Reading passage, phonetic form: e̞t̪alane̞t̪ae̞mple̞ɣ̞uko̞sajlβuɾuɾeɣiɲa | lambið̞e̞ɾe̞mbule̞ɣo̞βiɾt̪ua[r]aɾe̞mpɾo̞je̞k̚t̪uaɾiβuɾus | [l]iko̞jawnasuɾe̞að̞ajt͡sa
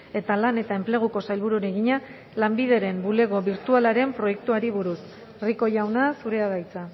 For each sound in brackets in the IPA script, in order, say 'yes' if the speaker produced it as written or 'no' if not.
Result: no, no

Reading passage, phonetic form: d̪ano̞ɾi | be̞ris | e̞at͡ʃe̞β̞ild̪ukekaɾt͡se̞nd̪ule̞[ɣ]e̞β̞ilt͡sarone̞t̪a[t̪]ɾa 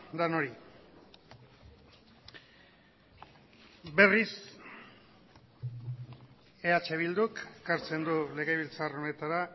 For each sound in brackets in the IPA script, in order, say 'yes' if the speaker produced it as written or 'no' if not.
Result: yes, no

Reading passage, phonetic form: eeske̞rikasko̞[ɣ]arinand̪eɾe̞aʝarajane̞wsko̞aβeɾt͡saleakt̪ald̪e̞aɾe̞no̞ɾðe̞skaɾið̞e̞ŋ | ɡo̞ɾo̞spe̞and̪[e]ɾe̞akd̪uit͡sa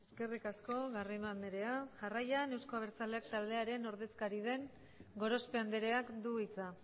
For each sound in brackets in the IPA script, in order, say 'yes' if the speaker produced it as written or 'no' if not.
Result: yes, yes

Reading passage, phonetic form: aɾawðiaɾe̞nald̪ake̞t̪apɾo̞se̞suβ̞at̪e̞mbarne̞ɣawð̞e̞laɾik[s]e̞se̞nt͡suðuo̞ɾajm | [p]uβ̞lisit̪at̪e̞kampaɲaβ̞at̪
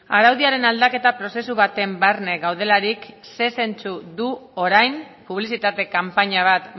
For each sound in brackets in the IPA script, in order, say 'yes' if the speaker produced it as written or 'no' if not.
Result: yes, yes

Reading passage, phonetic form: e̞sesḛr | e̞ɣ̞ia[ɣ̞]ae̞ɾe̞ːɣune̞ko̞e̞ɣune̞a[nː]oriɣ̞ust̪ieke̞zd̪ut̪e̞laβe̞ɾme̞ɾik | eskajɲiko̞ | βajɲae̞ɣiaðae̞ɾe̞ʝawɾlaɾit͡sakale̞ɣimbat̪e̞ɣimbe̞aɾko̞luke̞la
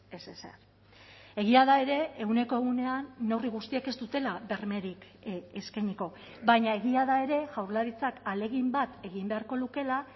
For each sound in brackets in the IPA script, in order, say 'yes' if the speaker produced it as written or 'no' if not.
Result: no, yes

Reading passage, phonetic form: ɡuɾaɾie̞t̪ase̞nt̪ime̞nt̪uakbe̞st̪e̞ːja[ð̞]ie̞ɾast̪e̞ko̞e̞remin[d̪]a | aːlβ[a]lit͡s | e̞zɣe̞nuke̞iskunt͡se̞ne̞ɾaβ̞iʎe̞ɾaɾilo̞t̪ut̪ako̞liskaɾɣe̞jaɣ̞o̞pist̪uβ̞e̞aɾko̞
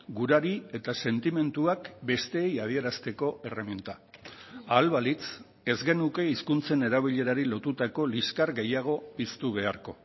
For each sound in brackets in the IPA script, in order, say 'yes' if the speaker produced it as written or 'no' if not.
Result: yes, no, yes

